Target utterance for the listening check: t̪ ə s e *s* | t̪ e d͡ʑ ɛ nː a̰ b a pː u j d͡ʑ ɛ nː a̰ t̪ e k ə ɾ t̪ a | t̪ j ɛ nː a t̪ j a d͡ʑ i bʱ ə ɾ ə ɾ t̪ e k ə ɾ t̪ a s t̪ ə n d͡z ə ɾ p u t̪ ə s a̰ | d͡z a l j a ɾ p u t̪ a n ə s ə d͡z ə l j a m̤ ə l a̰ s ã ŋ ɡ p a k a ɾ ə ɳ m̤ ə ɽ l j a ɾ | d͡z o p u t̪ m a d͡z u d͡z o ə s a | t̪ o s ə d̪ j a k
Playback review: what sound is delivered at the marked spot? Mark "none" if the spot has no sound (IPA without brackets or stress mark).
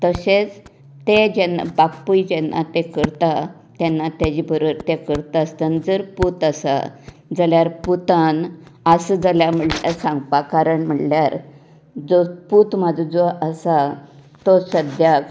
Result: t͡s